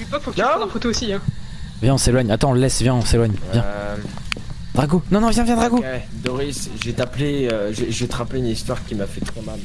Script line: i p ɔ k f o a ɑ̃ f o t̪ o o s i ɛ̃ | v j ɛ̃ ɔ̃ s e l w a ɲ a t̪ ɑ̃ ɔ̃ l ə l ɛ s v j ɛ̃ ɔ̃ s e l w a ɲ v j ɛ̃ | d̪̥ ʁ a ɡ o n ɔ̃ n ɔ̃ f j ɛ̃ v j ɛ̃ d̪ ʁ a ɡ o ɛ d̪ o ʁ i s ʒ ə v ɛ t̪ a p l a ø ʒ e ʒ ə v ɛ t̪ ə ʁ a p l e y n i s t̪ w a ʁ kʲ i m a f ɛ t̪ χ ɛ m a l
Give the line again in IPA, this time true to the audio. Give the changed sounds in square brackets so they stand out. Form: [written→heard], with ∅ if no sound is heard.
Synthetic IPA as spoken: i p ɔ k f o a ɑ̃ f o t̪ o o s i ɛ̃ | v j ɛ̃ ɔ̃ s e l w a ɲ a t̪ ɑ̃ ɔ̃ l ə l ɛ s v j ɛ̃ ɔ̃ s e l w a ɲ v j ɛ̃ | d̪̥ ʁ a ɡ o n ɔ̃ n ɔ̃ [f→v] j ɛ̃ v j ɛ̃ d̪ ʁ a ɡ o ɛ d̪ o ʁ i s ʒ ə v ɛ t̪ a p l [a→e] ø ʒ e ʒ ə v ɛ t̪ ə ʁ a p l e y n i s t̪ w a ʁ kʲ i m a f ɛ t̪ χ ɛ m a l